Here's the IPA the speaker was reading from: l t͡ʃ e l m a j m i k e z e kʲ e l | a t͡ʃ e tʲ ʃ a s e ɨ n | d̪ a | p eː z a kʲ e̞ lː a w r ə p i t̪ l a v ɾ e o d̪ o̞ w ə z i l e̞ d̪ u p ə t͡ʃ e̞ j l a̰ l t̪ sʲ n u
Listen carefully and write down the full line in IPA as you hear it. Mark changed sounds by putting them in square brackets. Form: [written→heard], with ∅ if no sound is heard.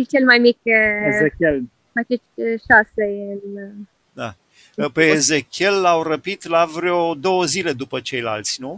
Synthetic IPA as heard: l t͡ʃ e l m a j m i k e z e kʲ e l | a t͡ʃ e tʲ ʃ a s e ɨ n | d̪ a | p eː z [a→e] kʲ e̞ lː a w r ə p i t̪ l a v ɾ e o d̪ o̞ w ə z i l e̞ d̪ u p ə t͡ʃ e̞ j l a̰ l t̪ sʲ n u